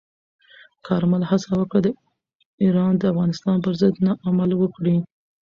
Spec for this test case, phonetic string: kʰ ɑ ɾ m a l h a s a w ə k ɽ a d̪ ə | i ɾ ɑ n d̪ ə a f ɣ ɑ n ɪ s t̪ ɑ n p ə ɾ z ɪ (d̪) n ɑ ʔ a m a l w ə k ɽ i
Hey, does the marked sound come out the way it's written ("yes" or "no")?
yes